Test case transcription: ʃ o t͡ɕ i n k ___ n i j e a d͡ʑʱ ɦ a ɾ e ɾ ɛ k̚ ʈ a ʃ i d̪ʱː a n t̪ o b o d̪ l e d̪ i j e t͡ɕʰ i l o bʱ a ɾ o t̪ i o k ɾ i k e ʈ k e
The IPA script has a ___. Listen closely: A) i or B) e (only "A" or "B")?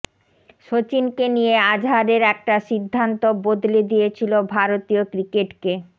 B